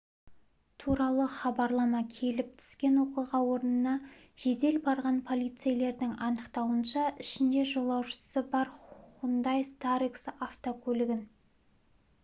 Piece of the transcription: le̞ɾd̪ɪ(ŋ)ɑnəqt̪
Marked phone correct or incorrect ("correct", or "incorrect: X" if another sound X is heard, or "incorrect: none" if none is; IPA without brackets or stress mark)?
correct